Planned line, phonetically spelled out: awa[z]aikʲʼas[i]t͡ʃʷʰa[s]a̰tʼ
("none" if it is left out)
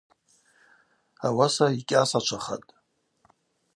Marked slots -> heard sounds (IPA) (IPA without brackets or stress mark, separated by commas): s, a, χ